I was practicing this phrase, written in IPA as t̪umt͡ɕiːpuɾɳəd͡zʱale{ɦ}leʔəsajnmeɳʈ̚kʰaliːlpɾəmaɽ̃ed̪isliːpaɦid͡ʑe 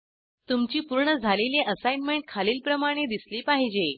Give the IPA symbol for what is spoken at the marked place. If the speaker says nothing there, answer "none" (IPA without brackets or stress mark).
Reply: none